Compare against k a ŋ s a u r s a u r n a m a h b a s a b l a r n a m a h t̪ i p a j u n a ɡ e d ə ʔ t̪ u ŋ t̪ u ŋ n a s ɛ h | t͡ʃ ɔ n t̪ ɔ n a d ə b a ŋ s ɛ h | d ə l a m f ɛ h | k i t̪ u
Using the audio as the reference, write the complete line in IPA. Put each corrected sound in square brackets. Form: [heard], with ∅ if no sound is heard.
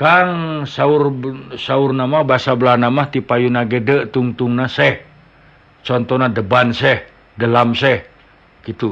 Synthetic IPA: k a ŋ s a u r s a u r n a m a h b a s a b l a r n a m a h t̪ i p a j u n a ɡ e d ə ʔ t̪ u ŋ t̪ u ŋ n a s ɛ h | t͡ʃ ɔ n t̪ ɔ n a d ə b a [n] s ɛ h | d ə l a m [s] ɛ h | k i t̪ u